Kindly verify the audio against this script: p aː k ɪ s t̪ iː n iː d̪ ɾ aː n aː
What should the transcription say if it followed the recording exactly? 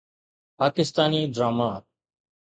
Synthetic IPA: p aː k ɪ s t̪ aː n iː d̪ ɾ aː m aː